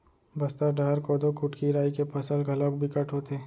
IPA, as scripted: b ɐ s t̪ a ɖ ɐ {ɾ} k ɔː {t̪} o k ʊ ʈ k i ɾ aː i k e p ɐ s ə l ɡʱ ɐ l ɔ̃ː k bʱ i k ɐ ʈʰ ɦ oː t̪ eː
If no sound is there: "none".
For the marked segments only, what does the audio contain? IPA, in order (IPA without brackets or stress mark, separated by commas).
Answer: ɾ, d̪